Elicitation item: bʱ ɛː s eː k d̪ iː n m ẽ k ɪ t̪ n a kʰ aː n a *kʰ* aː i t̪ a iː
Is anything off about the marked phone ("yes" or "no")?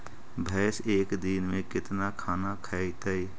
no